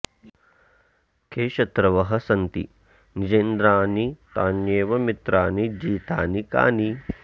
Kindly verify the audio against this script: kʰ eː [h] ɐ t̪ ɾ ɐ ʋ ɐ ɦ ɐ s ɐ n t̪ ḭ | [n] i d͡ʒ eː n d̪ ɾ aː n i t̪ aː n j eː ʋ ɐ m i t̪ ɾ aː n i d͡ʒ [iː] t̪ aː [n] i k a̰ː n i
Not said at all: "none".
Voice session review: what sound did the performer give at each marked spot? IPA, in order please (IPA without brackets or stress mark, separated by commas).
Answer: ʃ, n, iː, n